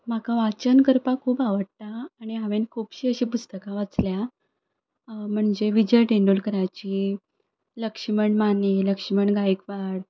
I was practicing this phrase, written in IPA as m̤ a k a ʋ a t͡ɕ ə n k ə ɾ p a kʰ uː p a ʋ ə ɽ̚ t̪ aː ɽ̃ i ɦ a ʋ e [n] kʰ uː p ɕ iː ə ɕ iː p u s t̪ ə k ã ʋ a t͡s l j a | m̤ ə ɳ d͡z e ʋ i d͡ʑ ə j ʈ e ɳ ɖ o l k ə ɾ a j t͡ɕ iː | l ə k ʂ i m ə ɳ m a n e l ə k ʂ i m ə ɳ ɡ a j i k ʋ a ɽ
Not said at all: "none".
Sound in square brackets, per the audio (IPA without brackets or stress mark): n